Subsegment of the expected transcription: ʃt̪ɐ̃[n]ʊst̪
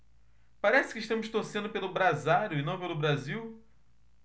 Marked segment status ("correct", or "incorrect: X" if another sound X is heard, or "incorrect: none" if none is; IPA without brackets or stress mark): incorrect: m